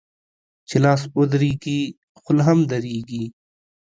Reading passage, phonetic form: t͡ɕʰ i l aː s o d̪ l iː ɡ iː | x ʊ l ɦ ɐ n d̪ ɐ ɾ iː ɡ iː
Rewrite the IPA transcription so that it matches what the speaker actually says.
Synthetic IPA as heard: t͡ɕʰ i l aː s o d̪ ɾ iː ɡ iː | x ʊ l ɦ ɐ m d̪ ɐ ɾ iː ɡ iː